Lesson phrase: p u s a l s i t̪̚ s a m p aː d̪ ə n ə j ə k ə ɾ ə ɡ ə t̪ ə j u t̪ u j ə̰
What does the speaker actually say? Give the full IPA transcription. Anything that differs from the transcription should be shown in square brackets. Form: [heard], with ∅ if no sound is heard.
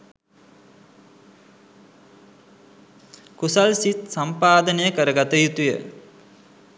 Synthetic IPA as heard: [k] u s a l s i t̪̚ s a m p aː d̪ ə n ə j ə k ə ɾ ə ɡ [a] t̪ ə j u t̪ u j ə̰